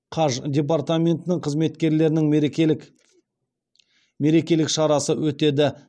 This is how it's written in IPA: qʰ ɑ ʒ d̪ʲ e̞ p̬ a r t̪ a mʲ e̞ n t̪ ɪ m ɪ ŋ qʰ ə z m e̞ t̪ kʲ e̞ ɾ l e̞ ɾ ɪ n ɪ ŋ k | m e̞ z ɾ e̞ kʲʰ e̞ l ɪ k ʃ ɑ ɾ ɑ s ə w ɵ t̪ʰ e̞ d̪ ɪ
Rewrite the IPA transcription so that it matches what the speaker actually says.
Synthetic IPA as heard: qʰ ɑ ʒ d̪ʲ e̞ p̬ a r t̪ a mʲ e̞ n t̪ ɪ n ɪ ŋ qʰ ə z m e̞ t̪ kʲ e̞ ɾ l e̞ ɾ ɪ n ɪ ŋ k | m e̞ ɾ e̞ kʲ e̞ l ɪ k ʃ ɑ ɾ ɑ s ə w ɵ t̪ e̞ d̪ ɪ

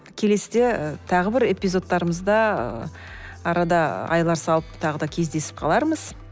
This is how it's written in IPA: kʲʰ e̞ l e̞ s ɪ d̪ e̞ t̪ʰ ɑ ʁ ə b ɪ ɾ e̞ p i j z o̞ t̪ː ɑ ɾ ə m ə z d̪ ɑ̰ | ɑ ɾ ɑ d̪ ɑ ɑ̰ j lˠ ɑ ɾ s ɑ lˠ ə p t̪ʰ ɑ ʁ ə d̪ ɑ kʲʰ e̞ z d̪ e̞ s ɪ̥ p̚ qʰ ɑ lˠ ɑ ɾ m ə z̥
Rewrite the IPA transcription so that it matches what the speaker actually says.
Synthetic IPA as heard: kʲʰ e̞ l e̞ s ɪ d̪ e̞ t̪ʰ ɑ ʁ ə b ɪ ɾ e̞ p i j z o̞ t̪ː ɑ ɾ ə m ə z d̪ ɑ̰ | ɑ ɾ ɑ d̪ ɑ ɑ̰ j lˠ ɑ ɾ s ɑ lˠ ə p t̪ʰ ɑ ʁ ə d̪ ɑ kʲʰ e̞ z d̪ e̞ s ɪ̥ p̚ qʰ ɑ lˠ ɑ ɾ m ə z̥

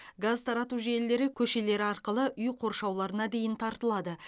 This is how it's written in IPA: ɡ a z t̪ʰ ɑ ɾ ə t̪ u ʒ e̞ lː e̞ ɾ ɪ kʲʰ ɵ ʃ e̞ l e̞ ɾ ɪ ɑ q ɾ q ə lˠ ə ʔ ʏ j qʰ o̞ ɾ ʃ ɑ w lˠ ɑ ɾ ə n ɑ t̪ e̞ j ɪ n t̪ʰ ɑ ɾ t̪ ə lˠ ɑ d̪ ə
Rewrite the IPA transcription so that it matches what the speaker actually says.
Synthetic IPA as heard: ɡ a z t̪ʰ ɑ ɾ ɑ t̪ u ʒ e̞ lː e̞ ɾ ɪ kʲʰ ɵ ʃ e̞ l e̞ ɾ ɪ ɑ ɾ q ə lˠ ə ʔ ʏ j qʰ o̞ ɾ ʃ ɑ w lˠ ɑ ɾ ə n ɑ d̪ e̞ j ɪ n t̪ʰ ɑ ɾ t̪ ə lˠ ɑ d̪ ə

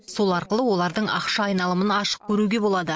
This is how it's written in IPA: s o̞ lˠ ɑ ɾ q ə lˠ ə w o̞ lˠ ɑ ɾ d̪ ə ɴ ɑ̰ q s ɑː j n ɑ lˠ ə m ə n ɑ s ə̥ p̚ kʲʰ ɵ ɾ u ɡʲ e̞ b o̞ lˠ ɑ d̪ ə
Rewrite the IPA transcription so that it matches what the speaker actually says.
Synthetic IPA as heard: s o̞ lˠ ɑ ɾ q ə lˠ ə w o̞ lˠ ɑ ɾ d̪ ə ɴ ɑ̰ q ʃ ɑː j n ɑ lˠ ə m ə n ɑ ʃ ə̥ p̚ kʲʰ ɵ ɾ u ɡʲ e̞ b o̞ lˠ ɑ d̪ ə

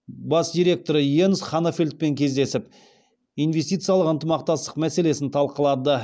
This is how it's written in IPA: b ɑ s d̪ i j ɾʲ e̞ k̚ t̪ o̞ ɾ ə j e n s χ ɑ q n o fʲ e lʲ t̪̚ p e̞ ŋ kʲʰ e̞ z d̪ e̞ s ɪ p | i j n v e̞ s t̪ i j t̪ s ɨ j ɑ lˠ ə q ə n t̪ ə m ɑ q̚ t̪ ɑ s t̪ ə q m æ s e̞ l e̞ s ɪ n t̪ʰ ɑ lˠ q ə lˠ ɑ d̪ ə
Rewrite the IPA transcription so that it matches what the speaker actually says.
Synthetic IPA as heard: b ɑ s d̪ i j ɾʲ e̞ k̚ t̪ o̞ ɾ ə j e n s χ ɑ n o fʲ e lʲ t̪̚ p e̞ ŋ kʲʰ e̞ z d̪ e̞ s ɪ p | i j n v e̞ s t̪ i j t̪ s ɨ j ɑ lˠ ə q ə n t̪ ə m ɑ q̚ t̪ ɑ s t̪ ə q m æ s e̞ l e̞ s ɪ n t̪ʰ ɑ lˠ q ə lˠ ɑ d̪ ə

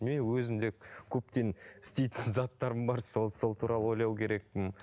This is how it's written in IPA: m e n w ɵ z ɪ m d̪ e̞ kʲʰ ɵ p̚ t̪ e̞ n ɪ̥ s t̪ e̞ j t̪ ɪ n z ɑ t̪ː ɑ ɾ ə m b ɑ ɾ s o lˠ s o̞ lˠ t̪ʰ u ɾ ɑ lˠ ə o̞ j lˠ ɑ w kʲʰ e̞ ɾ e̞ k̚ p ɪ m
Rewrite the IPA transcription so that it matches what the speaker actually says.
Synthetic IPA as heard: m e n w ɵ z ɪ m d̪ e̞ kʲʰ ɵ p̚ t̪ e̞ n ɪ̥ s t̪ e̞ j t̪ ɪ n z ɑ t̪ː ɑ ɾ ə m b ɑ ɾ s o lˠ s o̞ lˠ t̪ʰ u ɾ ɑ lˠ ə o̞ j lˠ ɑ w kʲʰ e̞ ɾ e̞ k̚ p ɪ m

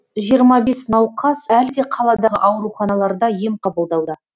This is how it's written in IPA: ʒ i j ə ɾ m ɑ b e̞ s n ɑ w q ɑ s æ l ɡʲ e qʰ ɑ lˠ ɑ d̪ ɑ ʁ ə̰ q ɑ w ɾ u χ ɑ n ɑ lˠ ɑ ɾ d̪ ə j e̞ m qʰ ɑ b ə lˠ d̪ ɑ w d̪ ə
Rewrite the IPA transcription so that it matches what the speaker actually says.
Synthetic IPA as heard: ʒ i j ə ɾ m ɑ b e̞ s n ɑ w q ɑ s æ l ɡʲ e qʰ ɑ lˠ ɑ d̪ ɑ ʁ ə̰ ʔ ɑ w ɾ u χ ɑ n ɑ lˠ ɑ ɾ d̪ ɑ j e̞ m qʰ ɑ b ə lˠ d̪ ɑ w d̪ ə

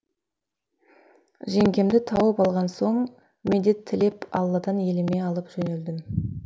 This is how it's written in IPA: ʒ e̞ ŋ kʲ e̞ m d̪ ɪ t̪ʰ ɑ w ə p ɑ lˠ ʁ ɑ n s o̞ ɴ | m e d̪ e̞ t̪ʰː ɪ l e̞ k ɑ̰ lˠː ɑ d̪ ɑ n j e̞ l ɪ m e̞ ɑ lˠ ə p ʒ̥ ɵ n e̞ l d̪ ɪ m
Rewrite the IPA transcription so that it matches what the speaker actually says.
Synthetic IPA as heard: ʒ e̞ ŋ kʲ e̞ m d̪ ɪ t̪ʰ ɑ w ə p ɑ lˠ ʁ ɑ n s o̞ ɴ | m e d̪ e̞ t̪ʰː ɪ l e̞ p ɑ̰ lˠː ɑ d̪ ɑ n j e̞ l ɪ m e̞ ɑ lˠ ə p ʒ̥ ɵ n e̞ l d̪ ɪ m

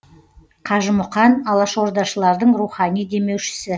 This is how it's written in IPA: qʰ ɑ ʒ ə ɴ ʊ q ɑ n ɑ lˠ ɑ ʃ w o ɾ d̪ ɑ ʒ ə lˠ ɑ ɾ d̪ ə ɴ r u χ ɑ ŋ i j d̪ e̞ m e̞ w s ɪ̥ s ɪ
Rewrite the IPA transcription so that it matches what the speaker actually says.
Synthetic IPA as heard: qʰ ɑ ʒ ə m ʊ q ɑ n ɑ lˠ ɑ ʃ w o ɾ d̪ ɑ ʃ ə lˠ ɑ ɾ d̪ ə ɴ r u χ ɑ n i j d̪ e̞ m e̞ w ʃ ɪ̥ s ɪ

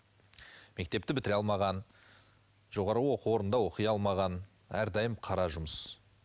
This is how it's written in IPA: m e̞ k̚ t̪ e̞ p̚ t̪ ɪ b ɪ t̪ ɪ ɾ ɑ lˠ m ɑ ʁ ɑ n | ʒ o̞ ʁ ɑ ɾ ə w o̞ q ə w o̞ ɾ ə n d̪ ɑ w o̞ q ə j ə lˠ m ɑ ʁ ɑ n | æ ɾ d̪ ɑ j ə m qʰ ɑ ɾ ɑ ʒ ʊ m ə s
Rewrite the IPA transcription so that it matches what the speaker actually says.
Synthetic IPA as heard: m e̞ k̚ t̪ e̞ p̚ t̪ ɪ b ɪ t̪ ɪ ɾ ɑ lˠ m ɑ ʁ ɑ n | ʒ o̞ ʁ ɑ ɾ ə w o̞ q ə w o̞ ɾ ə n d̪ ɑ w o̞ q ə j ɑ lˠ m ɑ ʁ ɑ n | æ ɾ d̪ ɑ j ə m qʰ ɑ ɾ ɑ ʒ ʊ m ə s

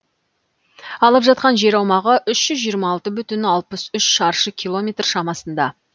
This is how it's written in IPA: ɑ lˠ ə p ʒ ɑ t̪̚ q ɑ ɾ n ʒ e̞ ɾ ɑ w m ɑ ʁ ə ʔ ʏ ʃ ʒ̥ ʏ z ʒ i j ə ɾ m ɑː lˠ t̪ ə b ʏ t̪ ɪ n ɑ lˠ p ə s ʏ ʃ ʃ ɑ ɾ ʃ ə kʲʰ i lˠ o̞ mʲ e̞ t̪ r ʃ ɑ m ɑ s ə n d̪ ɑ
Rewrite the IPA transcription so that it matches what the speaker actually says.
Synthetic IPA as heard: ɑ lˠ ə p ʒ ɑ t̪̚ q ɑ n ʒ e̞ ɾ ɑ w m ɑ ʁ ə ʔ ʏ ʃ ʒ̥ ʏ z ʒ i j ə ɾ m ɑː lˠ t̪ ə b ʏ t̪ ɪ n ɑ lˠ p ə s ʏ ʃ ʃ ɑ ɾ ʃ ə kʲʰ i lˠ o̞ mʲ e̞ t̪ r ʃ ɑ m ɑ s ə n d̪ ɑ

